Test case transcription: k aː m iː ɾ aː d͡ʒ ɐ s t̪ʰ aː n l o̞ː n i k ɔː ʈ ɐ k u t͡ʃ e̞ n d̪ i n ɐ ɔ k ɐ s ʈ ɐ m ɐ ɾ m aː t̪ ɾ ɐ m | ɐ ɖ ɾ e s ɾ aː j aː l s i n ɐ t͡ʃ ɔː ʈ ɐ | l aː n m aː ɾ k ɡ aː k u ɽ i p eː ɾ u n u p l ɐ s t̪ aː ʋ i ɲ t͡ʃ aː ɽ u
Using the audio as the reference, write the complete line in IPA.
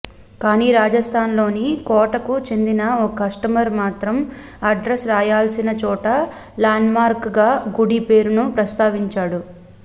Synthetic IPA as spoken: k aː n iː ɾ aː d͡ʒ ɐ s t̪ʰ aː n l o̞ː n i k ɔː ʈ ɐ k u t͡ʃ e̞ n d̪ i n ɐ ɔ k ɐ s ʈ ɐ m ɐ ɾ m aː t̪ ɾ ɐ m | ɐ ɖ ɾ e s ɾ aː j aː l s i n ɐ t͡ʃ ɔː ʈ ɐ | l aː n m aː ɾ k ɡ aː ɡ u ɽ i p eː ɾ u n u p ɾ ɐ s t̪ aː ʋ i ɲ t͡ʃ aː ɽ u